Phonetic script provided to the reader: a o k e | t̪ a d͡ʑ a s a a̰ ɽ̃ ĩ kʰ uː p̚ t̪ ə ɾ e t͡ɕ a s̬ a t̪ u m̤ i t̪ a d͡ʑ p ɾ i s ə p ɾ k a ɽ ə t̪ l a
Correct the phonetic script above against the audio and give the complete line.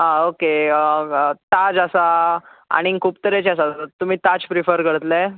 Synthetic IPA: a o k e | t̪ a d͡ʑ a s a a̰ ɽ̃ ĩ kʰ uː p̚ t̪ ə ɾ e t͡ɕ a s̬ a t̪ u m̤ iː t̪ a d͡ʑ p ɾ i f ə ɾ k ə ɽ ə t̪ l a